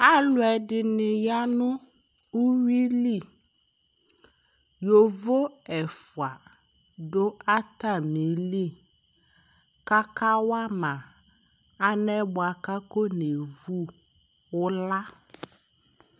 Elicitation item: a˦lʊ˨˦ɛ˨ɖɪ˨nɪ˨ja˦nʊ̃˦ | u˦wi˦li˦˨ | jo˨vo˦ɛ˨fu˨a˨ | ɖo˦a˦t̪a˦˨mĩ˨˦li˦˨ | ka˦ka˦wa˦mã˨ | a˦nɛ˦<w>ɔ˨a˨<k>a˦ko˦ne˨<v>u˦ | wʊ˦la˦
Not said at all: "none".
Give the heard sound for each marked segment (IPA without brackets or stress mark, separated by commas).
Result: b, k, v